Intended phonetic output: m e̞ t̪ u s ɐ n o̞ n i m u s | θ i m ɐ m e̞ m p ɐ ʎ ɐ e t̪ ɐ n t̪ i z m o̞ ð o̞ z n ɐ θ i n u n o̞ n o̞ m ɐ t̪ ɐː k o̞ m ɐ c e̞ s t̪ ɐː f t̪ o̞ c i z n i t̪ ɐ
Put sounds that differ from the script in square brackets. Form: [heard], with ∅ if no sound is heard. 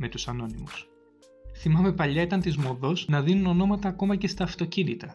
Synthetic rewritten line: m e̞ t̪ u s ɐ n o̞ n i m u s | θ i m ɐ m e̞ [∅] p ɐ ʎ ɐ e t̪ ɐ n t̪ i z m o̞ ð o̞ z n ɐ [ð] i n u n o̞ n o̞ m ɐ t̪ ɐː k o̞ m ɐ c e̞ s t̪ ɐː f t̪ o̞ c i [∅] n i t̪ ɐ